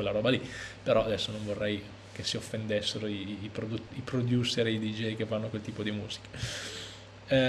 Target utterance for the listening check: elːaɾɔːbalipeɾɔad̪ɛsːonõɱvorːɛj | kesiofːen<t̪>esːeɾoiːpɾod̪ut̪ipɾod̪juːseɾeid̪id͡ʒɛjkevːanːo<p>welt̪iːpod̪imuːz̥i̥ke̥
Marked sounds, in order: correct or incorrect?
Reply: incorrect: d̪, incorrect: k

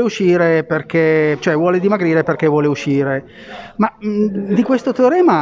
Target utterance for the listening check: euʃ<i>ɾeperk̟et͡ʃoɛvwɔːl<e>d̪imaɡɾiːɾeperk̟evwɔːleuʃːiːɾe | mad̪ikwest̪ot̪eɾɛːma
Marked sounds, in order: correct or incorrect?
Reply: incorrect: iː, correct

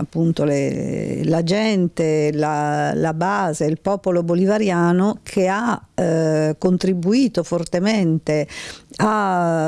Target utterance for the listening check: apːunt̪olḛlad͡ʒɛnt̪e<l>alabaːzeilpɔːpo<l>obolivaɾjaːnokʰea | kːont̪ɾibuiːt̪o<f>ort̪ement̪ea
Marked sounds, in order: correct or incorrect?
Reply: correct, correct, correct

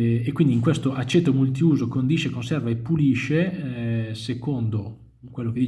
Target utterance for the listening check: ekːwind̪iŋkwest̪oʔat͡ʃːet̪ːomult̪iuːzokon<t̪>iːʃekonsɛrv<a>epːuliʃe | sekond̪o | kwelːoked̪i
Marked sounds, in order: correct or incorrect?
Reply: incorrect: d̪, correct

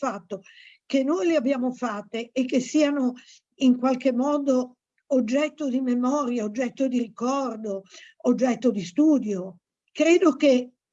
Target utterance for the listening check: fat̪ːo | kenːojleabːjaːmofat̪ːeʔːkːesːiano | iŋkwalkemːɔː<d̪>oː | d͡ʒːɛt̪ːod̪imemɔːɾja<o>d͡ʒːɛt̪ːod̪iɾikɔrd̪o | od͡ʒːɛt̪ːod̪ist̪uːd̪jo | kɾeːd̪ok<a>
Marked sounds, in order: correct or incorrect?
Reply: correct, correct, incorrect: e

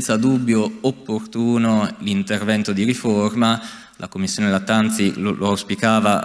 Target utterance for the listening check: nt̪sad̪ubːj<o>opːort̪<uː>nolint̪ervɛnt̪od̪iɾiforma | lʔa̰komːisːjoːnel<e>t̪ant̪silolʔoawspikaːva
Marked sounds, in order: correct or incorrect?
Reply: correct, correct, incorrect: a

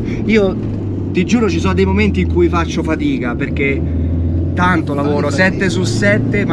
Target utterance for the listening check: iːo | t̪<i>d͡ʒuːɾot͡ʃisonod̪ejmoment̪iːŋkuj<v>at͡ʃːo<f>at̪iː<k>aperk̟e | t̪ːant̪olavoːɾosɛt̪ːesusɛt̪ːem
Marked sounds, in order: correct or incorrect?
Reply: correct, incorrect: f, correct, correct

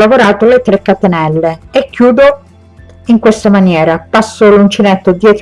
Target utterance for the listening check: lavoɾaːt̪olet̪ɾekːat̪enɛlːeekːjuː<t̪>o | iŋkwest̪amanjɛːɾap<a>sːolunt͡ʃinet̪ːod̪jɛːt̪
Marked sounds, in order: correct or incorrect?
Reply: incorrect: d̪, correct

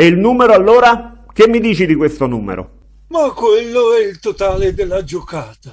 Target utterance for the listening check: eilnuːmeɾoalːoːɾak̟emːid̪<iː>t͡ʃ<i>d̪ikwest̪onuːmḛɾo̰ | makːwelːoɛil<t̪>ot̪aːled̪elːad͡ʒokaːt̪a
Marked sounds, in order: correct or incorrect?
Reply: correct, correct, correct

